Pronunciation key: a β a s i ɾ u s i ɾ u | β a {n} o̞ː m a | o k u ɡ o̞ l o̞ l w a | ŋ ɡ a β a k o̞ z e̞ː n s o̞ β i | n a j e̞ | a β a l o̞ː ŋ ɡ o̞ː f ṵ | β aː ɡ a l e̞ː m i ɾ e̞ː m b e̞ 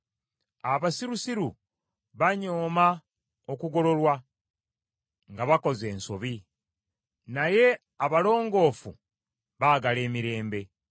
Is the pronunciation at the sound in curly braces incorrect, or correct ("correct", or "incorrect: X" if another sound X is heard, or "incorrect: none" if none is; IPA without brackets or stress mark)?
incorrect: ɲ